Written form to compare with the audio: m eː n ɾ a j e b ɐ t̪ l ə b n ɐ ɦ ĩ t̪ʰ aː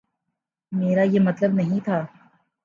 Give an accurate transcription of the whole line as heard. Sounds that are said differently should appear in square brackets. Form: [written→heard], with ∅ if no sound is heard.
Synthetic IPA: m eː [n→∅] ɾ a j e [b→m] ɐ t̪ l ə b n ɐ ɦ ĩ t̪ʰ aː